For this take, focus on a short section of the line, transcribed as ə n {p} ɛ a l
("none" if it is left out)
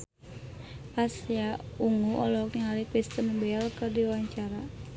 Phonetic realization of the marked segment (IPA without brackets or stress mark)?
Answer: b